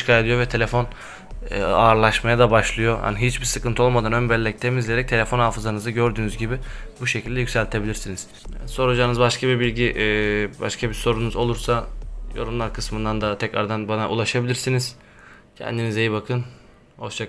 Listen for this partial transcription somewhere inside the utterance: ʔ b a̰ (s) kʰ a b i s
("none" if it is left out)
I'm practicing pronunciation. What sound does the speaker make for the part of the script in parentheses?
ʃ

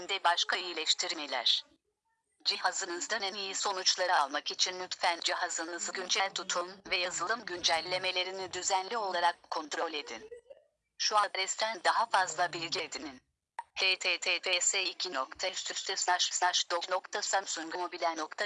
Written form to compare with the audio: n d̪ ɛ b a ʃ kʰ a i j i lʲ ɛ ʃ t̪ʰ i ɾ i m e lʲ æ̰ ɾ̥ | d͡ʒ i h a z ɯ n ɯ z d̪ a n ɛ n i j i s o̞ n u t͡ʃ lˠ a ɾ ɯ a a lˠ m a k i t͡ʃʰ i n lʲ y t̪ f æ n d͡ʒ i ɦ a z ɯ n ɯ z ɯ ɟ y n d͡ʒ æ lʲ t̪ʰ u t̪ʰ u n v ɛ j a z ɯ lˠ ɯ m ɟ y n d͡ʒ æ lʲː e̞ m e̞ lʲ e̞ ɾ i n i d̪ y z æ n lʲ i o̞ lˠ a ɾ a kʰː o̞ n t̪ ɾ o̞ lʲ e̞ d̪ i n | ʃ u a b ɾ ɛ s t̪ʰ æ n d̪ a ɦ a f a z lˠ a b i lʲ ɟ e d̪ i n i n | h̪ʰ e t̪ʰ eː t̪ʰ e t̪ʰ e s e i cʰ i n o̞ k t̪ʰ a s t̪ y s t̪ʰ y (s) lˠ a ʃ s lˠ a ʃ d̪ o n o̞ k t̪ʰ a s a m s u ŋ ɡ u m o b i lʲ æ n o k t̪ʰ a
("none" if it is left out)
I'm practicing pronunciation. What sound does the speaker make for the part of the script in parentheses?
s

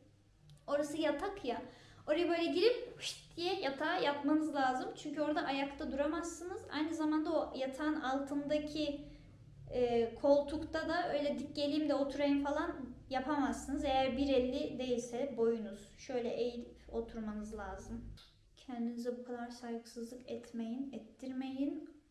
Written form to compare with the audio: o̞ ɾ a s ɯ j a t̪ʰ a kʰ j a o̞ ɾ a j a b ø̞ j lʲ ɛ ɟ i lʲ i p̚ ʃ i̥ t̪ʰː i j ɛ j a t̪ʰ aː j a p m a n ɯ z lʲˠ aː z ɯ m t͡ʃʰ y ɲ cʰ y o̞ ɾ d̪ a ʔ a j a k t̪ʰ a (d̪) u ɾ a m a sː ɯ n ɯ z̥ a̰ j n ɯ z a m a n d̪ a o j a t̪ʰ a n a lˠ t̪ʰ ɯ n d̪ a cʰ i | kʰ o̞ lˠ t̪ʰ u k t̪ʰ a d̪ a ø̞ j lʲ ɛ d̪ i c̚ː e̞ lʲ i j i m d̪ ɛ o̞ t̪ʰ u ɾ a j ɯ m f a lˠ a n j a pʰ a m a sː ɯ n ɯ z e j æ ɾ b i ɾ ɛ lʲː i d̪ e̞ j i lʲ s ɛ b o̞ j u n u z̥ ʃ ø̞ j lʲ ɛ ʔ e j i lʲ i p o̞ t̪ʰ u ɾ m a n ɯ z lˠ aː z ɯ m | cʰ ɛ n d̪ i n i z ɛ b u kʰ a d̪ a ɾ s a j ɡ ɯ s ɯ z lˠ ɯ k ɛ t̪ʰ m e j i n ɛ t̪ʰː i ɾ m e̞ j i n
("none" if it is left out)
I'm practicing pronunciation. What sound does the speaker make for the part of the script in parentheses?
d̪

